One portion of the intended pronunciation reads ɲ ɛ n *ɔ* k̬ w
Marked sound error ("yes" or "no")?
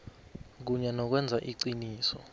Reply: no